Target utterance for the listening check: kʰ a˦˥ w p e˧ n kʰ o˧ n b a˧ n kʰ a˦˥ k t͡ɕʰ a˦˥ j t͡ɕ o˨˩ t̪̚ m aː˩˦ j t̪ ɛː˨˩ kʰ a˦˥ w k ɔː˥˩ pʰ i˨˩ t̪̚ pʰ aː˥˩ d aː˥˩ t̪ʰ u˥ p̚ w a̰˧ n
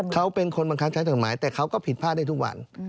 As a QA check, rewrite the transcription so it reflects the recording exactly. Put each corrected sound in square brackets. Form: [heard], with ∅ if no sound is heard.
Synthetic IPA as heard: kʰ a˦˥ w p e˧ n kʰ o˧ n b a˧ [ŋ] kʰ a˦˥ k t͡ɕʰ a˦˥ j t͡ɕ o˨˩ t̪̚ m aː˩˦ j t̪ ɛː˨˩ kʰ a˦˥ w k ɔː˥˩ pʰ i˨˩ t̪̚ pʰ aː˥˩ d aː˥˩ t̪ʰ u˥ [k̚] w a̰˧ n